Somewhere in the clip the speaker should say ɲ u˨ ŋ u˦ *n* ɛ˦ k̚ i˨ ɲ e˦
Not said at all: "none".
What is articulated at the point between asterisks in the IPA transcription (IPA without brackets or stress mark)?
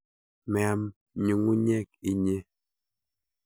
ɲ